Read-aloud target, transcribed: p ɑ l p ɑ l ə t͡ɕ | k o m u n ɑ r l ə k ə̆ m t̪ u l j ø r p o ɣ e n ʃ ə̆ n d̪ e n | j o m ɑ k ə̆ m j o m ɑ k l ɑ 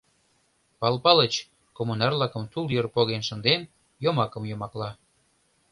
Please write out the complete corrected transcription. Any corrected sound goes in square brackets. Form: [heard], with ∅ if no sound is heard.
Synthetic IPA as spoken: p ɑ l p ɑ l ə t͡ɕ | k o m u n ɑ r l [ɑ] k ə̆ m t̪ u l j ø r p o ɣ e n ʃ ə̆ n d̪ e n | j o m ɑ k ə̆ m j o m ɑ k l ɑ

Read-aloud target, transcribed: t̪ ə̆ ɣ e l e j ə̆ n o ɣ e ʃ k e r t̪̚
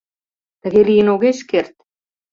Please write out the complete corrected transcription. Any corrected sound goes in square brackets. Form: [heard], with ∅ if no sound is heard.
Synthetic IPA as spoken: t̪ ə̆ ɣ e l [i] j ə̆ n o ɣ e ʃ k e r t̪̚

